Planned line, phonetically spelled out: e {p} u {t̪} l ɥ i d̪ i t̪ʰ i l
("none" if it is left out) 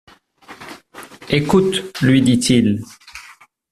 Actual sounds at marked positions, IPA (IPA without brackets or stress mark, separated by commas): k, t̪